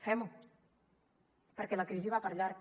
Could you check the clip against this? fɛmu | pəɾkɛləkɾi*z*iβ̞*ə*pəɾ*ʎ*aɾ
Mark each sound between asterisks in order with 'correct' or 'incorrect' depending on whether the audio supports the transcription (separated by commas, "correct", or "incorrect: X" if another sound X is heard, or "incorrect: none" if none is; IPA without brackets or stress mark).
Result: correct, incorrect: a, correct